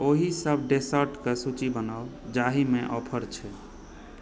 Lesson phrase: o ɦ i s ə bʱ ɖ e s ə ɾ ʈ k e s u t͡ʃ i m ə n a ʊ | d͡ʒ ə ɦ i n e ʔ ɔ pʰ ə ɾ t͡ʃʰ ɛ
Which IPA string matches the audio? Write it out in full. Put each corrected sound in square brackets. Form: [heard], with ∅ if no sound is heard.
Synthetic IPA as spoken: o ɦ i s ə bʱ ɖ e s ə ɾ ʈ k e s u t͡ʃ i [b] ə n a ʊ | d͡ʒ [a] ɦ i [m] e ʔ ɔ pʰ ə ɾ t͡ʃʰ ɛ